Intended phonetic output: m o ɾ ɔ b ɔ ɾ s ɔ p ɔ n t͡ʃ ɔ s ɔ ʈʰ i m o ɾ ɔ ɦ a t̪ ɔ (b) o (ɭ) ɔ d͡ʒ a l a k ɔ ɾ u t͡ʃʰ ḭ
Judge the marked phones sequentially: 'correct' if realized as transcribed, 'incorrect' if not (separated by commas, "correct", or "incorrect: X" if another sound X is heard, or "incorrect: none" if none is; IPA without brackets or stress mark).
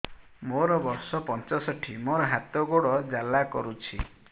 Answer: incorrect: ɡ, incorrect: ɽ